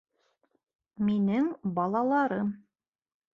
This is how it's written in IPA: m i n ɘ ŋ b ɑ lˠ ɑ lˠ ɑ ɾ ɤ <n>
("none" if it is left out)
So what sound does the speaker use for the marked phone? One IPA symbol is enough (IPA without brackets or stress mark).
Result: m